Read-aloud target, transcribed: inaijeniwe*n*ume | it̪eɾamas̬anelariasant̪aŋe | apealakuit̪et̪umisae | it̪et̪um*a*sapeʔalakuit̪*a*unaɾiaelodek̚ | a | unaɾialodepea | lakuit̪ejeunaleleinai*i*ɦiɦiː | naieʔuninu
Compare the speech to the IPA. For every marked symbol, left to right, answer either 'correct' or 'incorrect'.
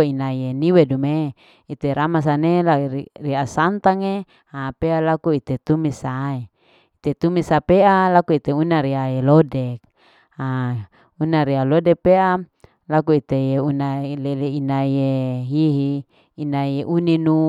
incorrect: d, incorrect: i, incorrect: e, incorrect: e

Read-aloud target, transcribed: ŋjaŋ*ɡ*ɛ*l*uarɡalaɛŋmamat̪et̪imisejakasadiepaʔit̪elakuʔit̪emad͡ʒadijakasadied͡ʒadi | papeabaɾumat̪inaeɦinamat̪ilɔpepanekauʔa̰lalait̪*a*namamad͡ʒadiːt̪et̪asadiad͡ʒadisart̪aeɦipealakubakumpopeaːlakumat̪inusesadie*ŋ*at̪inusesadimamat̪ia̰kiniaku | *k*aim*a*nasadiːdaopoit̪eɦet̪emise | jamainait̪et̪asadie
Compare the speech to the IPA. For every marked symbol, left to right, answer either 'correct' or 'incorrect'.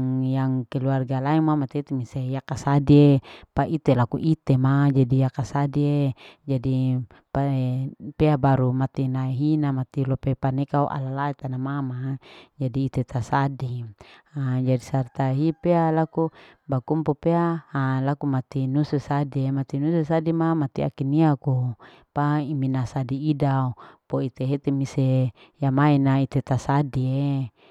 incorrect: k, correct, correct, incorrect: m, incorrect: p, incorrect: i

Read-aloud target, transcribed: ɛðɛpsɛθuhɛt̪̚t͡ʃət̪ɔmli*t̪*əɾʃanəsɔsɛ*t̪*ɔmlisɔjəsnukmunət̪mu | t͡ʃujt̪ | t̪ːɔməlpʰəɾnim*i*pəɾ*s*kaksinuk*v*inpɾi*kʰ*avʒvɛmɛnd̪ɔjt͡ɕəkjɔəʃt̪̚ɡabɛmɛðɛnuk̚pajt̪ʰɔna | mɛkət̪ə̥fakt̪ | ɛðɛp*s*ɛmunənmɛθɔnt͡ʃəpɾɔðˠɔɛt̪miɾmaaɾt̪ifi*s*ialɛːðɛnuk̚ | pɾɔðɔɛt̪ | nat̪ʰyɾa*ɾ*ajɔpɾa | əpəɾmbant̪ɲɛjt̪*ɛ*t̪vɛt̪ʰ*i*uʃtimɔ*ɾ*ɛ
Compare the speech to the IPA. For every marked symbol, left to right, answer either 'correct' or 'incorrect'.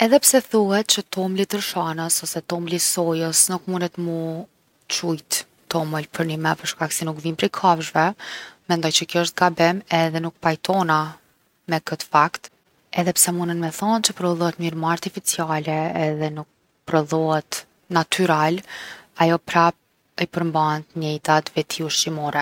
correct, correct, incorrect: ɛ, incorrect: ʃ, correct, correct, correct, incorrect: t͡s, incorrect: l, incorrect: a, correct, correct

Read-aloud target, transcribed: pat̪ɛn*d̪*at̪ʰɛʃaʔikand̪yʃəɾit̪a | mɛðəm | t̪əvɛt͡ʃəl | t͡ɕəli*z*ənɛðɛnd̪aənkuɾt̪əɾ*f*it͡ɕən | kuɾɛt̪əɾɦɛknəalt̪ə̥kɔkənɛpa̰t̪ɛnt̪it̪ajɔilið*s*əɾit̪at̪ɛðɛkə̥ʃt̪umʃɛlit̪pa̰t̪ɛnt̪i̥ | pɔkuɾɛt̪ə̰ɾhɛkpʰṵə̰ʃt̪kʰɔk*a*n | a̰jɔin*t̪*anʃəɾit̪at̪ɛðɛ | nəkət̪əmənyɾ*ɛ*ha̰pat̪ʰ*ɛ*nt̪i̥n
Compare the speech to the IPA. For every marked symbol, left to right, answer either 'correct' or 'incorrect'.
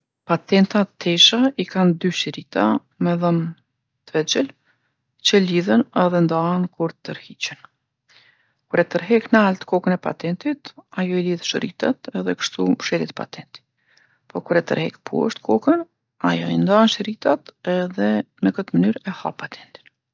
incorrect: t̪, incorrect: ð, incorrect: h, incorrect: ʃ, incorrect: ə, incorrect: d̪, correct, correct

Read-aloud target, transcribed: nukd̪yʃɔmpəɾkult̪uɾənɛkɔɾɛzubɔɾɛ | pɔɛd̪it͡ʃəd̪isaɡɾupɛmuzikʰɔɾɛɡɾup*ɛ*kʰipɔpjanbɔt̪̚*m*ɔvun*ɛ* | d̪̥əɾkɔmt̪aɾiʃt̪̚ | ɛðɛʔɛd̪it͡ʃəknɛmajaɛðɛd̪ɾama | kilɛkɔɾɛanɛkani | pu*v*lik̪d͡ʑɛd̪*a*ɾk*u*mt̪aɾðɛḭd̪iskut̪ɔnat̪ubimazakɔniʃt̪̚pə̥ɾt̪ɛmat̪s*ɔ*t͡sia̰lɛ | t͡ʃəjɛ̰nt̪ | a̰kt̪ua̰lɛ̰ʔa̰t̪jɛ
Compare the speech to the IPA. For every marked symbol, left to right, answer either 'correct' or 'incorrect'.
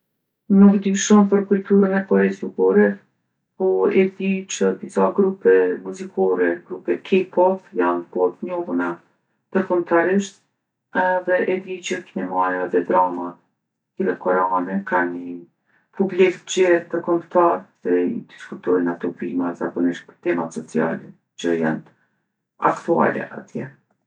correct, incorrect: ɲ, incorrect: a, incorrect: b, incorrect: ə, incorrect: ɔ, correct

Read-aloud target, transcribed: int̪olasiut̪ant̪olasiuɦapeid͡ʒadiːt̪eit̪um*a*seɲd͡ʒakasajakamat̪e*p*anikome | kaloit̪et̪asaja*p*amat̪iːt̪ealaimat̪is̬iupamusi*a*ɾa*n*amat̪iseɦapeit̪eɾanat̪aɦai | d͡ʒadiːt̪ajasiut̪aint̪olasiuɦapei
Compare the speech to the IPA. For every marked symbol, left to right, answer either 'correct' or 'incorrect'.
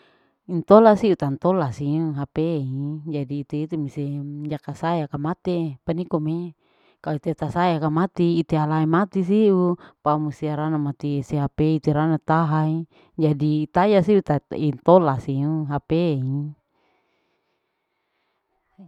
incorrect: i, correct, incorrect: k, correct, correct

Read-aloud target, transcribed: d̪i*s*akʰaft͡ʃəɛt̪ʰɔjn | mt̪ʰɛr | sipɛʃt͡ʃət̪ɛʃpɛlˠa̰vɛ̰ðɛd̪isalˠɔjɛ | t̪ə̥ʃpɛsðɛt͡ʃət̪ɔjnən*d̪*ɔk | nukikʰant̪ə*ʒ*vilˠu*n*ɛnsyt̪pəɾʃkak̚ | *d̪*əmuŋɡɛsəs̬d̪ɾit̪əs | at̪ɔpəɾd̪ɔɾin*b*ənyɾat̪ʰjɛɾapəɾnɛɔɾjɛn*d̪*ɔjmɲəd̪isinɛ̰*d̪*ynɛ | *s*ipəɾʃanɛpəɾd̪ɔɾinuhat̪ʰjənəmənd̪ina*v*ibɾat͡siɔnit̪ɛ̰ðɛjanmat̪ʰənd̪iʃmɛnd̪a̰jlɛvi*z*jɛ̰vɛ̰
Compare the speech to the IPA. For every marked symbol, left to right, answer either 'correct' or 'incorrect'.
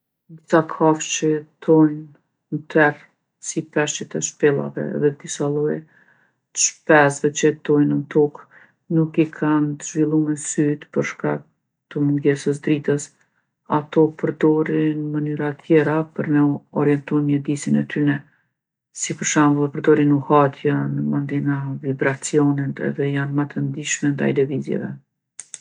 correct, incorrect: t̪, correct, incorrect: m, incorrect: t̪, incorrect: m, incorrect: t̪, incorrect: t̪, correct, correct, correct

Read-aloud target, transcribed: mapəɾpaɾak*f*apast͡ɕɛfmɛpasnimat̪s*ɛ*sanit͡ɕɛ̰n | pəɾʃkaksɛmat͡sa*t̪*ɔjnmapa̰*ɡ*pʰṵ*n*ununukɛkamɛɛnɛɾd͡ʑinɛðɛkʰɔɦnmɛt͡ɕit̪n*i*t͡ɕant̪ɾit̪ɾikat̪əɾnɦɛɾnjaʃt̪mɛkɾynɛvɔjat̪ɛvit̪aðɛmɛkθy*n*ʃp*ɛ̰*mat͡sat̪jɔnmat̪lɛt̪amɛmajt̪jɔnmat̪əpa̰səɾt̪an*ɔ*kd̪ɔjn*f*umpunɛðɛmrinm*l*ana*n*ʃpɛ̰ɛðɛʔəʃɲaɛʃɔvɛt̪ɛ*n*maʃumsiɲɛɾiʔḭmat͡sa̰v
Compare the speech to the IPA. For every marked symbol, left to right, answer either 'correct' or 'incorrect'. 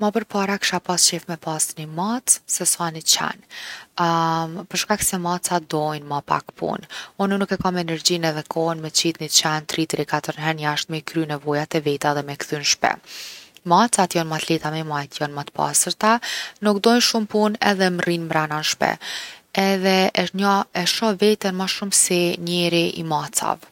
incorrect: ʃ, correct, incorrect: d̪, incorrect: k, correct, correct, correct, correct, incorrect: u, incorrect: ʃ, incorrect: ɾ, correct, correct

